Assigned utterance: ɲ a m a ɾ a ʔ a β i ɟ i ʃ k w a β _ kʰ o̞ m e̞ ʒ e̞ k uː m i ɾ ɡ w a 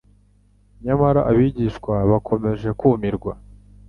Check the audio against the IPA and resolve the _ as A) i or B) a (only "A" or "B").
B